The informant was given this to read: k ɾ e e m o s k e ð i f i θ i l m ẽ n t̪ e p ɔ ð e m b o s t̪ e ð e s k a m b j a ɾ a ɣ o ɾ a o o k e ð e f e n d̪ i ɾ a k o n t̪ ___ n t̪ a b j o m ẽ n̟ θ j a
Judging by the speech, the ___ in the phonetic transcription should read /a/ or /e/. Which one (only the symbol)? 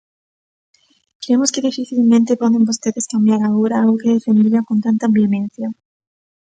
a